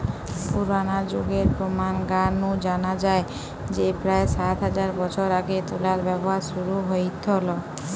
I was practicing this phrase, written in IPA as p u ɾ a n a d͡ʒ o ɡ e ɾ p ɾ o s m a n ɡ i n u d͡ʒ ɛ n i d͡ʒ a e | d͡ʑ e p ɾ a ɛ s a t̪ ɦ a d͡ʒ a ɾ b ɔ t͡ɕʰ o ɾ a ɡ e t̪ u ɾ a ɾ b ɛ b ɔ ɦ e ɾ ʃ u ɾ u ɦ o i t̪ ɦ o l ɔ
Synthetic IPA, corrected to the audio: p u ɾ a n a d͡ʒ o ɡ e ɾ p ɾ o m a n ɡ a n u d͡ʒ a n a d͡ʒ a e | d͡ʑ e p ɾ a e s a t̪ ɦ a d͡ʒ a ɾ b ɔ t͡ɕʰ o ɾ a ɡ e t̪ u l a ɾ b ɛ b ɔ ɦ a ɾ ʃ u ɾ u ɦ o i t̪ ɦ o l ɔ

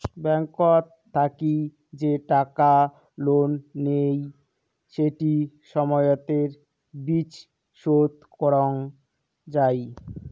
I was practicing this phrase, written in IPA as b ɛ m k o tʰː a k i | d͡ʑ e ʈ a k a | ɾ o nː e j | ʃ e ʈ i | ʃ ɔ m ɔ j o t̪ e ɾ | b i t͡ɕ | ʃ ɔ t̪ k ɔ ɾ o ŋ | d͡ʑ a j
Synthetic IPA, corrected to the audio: b ɛ ŋ k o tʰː a k i | d͡ʑ e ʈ a k a | l o nː e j | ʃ e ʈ i | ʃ ɔ m ɔ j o t̪ e ɾ | b i t͡ɕ | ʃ o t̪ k ɔ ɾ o ŋ | d͡ʑ a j

